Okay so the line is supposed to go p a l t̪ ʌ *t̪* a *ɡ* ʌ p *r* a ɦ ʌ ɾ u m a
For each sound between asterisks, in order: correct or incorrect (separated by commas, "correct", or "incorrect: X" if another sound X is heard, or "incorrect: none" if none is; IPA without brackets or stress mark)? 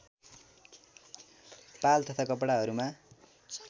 incorrect: t̪ʰ, incorrect: k, incorrect: ɽ